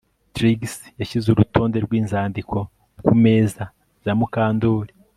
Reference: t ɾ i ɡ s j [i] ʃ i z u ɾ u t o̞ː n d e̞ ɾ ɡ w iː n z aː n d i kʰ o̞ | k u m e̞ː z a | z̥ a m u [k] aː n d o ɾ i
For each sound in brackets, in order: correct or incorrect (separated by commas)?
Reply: incorrect, correct